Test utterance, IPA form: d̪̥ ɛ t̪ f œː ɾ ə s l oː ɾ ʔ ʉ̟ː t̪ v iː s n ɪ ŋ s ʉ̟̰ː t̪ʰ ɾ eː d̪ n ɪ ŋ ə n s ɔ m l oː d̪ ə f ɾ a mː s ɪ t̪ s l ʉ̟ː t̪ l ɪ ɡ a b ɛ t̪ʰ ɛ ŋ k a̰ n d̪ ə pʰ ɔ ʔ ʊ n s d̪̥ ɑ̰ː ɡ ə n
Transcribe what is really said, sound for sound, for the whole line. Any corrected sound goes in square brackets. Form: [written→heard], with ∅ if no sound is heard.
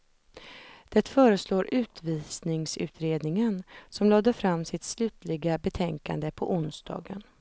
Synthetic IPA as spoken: d̪̥ ɛ t̪ f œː ɾ ə s l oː ɾ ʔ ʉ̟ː t̪ v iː s n ɪ ŋ s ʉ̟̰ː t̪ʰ ɾ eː d̪ n ɪ ŋ ə n s ɔ m l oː d̪ ə f ɾ a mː s ɪ t̪ s l ʉ̟ː t̪ l ɪ ɡ a b ɛ t̪ʰ ɛ ŋ k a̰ n d̪ ə pʰ ɔ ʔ ʊ n s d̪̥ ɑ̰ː ɡ ə n